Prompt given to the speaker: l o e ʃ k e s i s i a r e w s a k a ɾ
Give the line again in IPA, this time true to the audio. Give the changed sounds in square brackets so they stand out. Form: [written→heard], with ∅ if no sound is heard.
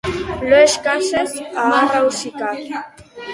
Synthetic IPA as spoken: l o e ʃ k [e→a] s [i→e] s [i→a] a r [e→a] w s [a→i] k a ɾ